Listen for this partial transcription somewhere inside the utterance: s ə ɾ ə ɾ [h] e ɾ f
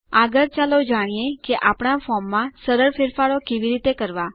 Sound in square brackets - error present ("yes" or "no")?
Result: yes